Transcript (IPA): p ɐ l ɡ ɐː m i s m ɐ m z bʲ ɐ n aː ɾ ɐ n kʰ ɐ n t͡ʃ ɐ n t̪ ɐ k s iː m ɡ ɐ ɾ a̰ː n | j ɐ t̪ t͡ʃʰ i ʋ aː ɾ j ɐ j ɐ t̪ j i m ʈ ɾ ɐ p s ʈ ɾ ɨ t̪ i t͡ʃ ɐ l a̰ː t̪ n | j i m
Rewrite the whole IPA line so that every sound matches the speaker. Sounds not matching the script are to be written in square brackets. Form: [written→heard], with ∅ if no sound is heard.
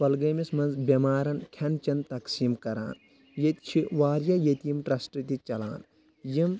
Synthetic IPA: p ɐ l ɡ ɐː m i s m ɐ [m→n] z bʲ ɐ [n→m] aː ɾ ɐ n kʰ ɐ n t͡ʃ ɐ n t̪ ɐ k s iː m [ɡ→k] ɐ ɾ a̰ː n | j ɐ t̪ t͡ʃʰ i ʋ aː ɾ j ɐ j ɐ t̪ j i m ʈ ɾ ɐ [p→∅] s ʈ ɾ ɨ t̪ i t͡ʃ ɐ l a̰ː [t̪→∅] n | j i m

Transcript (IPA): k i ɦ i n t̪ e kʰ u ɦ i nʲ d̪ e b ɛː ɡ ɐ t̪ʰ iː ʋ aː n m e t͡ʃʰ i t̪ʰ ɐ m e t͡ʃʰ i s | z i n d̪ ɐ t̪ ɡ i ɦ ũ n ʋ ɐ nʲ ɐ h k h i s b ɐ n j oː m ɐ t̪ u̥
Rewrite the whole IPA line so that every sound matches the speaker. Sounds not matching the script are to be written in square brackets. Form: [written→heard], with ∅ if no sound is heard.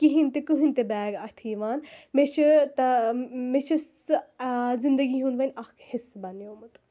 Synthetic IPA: k i ɦ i n t̪ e [kʰ→k] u ɦ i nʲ [d̪→t̪] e b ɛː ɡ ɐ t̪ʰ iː ʋ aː n m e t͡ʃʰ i [t̪ʰ→t̪] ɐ m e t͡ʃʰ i s | z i n d̪ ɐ [t̪→∅] ɡ i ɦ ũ n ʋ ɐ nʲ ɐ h k h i s b ɐ n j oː m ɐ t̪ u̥

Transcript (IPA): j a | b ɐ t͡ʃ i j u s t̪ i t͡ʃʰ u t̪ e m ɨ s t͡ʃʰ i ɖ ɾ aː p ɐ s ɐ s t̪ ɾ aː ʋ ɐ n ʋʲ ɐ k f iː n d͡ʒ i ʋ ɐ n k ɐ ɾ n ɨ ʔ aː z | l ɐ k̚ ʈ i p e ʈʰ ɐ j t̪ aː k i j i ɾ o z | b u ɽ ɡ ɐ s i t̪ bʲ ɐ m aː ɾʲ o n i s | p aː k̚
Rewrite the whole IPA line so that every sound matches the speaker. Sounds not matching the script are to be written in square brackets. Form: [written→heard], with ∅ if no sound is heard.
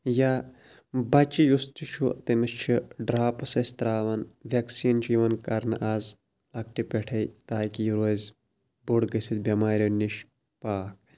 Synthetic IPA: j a | b ɐ t͡ʃ i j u s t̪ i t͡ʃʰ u t̪ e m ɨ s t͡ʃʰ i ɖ ɾ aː p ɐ s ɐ s t̪ ɾ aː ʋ ɐ n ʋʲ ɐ k [f→s] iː n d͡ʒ i ʋ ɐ n k ɐ ɾ n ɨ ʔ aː z | l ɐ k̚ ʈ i p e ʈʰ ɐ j t̪ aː k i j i ɾ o z | b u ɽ ɡ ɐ s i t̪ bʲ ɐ m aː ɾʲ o n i [s→ʃ] | p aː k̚

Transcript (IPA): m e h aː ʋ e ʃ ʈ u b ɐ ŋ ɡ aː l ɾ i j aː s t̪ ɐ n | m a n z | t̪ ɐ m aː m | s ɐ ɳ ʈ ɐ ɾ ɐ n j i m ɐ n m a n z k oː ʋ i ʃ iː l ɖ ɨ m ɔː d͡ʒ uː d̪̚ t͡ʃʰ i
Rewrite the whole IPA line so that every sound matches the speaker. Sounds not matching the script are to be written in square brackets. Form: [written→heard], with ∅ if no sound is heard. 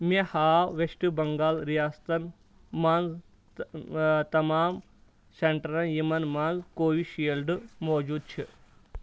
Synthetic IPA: m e h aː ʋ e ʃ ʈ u b ɐ ŋ ɡ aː l ɾ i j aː s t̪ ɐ n | m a n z | t̪ ɐ m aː m | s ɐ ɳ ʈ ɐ ɾ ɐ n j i m ɐ n m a n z k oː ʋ i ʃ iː l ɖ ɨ m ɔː d͡ʒ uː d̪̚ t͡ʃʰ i

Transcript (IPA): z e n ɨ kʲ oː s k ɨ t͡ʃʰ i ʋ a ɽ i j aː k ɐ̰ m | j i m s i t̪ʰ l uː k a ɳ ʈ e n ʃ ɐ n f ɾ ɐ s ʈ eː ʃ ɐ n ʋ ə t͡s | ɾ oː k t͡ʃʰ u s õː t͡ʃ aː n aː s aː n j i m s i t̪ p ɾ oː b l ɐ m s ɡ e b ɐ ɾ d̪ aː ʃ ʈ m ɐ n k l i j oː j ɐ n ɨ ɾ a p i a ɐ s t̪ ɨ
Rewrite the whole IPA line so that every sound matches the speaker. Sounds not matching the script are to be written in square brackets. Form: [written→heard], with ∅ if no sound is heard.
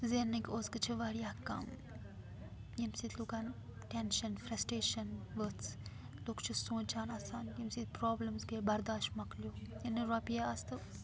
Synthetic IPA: z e n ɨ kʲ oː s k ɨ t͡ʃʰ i ʋ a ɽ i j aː k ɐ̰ m | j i m s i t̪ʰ l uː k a [ɳ→n] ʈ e n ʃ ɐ n f ɾ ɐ s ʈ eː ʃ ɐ n ʋ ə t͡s | [ɾ→l] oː k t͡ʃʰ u s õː t͡ʃ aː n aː s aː n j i m s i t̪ p ɾ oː b l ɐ m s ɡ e b ɐ ɾ d̪ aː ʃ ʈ m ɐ [n→∅] k l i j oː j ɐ n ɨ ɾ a p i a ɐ s t̪ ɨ

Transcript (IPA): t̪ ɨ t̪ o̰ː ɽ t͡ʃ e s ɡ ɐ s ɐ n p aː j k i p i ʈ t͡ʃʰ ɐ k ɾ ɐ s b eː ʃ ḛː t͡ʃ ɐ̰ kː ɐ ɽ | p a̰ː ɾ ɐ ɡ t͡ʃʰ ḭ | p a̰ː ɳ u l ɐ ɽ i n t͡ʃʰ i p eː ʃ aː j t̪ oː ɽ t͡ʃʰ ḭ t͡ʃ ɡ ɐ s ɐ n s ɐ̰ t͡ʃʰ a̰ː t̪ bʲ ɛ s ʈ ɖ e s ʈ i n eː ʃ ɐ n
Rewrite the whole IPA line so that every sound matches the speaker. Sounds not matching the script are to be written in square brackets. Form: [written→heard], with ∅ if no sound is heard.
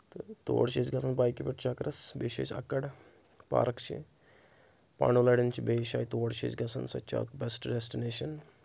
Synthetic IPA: t̪ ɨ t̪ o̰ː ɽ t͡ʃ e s ɡ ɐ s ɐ n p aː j k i p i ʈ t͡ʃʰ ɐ k ɾ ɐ s b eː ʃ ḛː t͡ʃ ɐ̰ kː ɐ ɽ | p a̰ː ɾ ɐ [ɡ→k] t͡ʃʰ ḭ | p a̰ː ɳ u l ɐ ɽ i n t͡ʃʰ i [p→b] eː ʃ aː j t̪ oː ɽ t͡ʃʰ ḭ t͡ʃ ɡ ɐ s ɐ n s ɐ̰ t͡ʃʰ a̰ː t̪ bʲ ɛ s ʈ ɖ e s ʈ i n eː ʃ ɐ n

